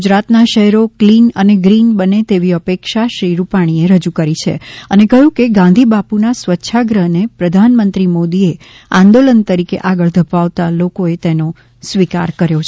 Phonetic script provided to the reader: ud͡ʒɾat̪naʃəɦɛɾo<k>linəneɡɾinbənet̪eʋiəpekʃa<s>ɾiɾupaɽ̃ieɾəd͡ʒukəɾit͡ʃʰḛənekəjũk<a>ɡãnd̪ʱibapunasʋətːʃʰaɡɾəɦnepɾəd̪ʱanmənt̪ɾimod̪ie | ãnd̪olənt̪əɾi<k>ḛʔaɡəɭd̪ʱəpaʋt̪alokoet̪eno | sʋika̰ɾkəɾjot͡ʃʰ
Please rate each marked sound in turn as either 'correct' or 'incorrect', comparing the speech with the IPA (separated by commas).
correct, incorrect, incorrect, correct